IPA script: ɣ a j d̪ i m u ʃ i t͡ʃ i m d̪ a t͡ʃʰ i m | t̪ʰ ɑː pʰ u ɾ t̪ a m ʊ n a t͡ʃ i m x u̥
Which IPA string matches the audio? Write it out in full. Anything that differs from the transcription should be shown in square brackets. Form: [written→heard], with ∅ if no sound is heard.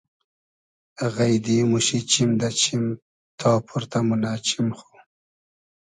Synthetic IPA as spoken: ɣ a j d̪ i m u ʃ i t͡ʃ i m d̪ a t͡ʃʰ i m | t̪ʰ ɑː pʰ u ɾ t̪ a m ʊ n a t͡ʃ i m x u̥